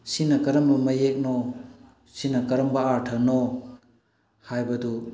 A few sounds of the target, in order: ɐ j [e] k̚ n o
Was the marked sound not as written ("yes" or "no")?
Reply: no